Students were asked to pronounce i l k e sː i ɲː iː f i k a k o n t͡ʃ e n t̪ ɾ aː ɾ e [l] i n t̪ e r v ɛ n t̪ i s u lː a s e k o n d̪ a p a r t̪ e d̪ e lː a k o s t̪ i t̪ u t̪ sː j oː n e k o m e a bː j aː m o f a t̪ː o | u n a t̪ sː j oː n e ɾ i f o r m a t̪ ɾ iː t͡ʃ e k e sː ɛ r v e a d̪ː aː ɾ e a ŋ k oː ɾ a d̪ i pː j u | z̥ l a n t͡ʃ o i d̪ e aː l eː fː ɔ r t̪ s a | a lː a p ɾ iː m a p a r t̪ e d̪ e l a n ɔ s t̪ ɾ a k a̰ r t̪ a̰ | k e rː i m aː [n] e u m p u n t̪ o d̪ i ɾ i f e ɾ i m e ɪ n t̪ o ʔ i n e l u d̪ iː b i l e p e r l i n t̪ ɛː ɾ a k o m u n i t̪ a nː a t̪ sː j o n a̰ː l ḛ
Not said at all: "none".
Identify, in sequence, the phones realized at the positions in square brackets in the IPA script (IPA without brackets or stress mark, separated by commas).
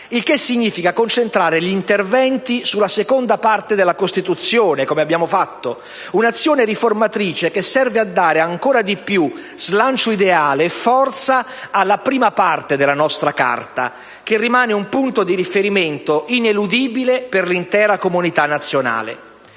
ʎ, n